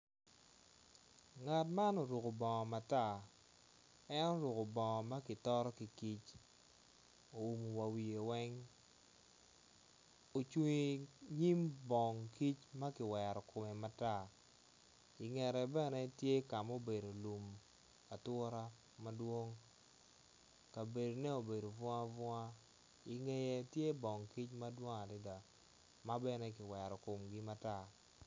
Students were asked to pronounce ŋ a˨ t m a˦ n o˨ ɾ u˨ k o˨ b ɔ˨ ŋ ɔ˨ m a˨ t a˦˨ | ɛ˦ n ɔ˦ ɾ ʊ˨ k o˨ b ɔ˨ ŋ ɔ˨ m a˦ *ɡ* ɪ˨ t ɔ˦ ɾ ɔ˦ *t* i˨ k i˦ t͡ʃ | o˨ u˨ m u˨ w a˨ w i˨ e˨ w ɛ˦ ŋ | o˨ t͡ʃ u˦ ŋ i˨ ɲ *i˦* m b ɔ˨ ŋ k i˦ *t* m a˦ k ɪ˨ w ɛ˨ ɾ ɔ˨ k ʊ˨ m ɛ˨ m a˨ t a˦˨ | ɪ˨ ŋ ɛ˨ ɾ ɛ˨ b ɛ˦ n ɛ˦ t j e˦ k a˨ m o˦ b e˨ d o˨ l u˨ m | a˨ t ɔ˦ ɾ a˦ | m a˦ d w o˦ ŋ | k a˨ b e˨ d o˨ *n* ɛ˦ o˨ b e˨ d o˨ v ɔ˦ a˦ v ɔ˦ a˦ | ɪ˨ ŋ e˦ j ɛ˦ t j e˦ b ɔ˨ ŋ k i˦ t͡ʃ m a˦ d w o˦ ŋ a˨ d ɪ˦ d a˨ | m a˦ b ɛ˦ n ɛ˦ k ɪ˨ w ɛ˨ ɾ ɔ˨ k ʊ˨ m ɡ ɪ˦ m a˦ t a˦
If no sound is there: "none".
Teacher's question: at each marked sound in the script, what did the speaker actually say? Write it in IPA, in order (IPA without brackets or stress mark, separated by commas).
k, k, i˦, t͡ʃ, n